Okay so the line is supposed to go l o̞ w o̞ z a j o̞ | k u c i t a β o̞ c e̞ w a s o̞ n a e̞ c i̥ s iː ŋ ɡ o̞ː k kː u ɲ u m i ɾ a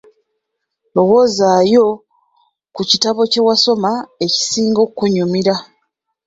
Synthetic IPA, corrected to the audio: l o̞ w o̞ z a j o̞ | k u c i t a β o̞ c e̞ w a s o̞ m a e̞ c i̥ s iː ŋ ɡ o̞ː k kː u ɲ u m i ɾ a